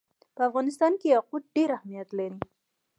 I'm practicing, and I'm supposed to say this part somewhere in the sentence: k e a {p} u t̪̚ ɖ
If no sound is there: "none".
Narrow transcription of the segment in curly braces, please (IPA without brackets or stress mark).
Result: q